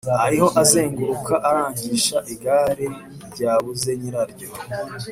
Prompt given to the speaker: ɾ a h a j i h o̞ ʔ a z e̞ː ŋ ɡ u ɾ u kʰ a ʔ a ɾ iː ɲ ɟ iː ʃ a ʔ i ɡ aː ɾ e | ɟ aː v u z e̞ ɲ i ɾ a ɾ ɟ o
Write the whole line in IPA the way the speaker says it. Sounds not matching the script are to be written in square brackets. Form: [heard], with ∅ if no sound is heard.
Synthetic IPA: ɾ a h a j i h o̞ ʔ a z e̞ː ŋ ɡ u ɾ u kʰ a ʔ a ɾ [aː] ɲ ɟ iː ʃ a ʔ i ɡ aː ɾ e | ɟ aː [β] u z e̞ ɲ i ɾ a ɾ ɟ o